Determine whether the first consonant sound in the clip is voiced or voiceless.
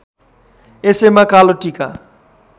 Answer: voiceless